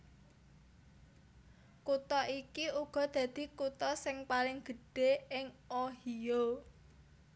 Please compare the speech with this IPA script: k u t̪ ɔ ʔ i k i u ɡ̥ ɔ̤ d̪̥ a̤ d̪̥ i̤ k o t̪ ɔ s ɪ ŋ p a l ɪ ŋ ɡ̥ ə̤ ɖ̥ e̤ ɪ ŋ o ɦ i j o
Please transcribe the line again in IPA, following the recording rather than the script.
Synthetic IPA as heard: k u t̪ ɔ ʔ i k i u ɡ̥ ɔ̤ d̪̥ a̤ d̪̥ i̤ k u t̪ ɔ s ɪ ŋ p a l ɪ ŋ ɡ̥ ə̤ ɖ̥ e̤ ɪ ŋ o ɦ i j o